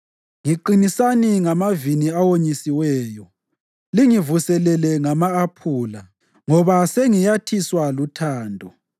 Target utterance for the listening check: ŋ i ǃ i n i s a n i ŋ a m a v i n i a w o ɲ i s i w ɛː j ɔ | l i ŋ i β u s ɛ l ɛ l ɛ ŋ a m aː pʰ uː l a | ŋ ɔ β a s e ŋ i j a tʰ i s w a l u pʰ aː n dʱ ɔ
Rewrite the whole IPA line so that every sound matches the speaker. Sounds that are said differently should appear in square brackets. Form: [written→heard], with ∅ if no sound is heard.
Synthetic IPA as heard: ŋ i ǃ i n i s a n i ŋ a m a v i n i a w o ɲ i s i w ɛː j ɔ | l i ŋ i [β→v] u s ɛ l ɛ l ɛ ŋ a m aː pʰ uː l a | ŋ ɔ β a s e ŋ i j a tʰ i s w a l u [pʰ→tʰ] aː n dʱ ɔ